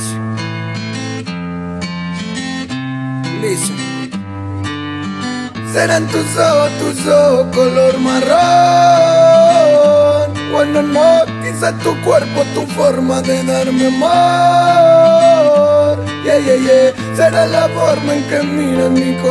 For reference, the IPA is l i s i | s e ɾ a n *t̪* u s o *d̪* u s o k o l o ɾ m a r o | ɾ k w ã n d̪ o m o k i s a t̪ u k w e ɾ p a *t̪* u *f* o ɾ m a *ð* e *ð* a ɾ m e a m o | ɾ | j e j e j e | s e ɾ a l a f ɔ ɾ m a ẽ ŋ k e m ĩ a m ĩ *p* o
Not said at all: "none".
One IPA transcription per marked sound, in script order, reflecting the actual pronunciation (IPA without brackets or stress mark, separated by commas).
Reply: t̪, t̪, t̪, f, ð, ð, k